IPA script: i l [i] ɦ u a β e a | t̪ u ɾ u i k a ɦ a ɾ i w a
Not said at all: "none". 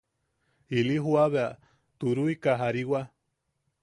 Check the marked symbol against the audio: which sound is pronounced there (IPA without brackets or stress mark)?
i